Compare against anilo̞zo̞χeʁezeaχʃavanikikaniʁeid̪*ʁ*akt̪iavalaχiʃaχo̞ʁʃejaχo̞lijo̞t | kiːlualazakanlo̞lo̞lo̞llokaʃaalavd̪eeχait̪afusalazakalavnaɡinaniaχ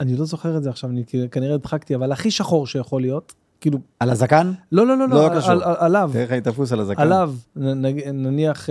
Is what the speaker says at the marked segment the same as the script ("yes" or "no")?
no